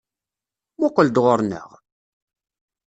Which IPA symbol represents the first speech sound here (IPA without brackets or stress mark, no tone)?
m